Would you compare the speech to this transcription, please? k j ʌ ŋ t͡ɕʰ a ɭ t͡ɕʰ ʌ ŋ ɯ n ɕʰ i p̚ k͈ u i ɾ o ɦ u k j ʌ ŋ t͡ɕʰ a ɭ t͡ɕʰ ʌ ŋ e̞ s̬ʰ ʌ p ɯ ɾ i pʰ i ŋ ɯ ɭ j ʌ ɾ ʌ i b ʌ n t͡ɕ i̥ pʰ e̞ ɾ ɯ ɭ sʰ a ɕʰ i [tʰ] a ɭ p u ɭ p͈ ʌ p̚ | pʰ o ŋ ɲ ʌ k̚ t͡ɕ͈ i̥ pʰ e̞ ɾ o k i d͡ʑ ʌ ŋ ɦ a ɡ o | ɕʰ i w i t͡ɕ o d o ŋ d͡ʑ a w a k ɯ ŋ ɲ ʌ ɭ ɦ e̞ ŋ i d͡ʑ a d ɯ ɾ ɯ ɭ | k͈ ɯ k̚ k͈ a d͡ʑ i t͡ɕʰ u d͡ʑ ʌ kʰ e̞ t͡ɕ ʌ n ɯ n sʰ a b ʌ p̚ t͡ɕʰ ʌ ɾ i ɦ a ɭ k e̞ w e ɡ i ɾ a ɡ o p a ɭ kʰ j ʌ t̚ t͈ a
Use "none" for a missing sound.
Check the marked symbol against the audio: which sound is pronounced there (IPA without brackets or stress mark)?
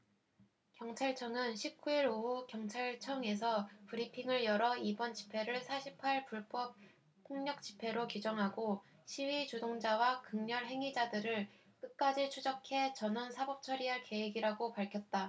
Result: pʰ